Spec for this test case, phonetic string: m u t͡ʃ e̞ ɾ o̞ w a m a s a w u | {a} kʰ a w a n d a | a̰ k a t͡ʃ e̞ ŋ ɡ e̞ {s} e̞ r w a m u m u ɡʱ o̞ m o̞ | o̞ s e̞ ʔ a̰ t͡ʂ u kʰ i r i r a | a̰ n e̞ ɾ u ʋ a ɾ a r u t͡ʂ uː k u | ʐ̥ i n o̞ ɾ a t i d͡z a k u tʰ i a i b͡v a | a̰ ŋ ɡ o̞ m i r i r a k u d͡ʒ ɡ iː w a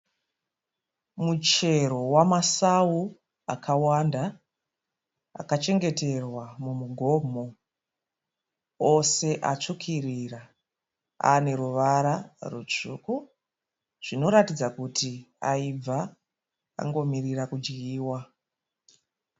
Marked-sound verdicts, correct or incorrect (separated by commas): correct, incorrect